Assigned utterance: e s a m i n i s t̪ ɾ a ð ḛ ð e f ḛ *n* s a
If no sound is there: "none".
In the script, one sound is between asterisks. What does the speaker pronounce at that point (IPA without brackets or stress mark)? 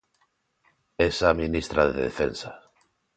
n